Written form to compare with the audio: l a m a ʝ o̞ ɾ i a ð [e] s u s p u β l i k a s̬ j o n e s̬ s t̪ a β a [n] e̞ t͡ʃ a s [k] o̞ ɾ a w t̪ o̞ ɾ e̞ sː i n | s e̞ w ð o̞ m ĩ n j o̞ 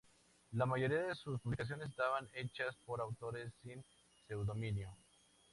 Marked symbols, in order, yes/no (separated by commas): yes, yes, no